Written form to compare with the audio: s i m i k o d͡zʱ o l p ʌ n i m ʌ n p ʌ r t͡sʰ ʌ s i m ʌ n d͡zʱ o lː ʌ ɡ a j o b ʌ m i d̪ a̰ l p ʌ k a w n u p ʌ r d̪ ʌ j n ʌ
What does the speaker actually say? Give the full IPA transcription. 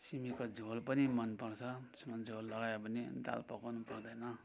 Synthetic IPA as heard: s i m i k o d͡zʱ o l p ʌ n i m ʌ n p ʌ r t͡sʰ ʌ s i m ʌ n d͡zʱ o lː ʌ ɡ a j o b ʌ n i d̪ a̰ l p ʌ k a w n u p ʌ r d̪ ʌ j n ʌ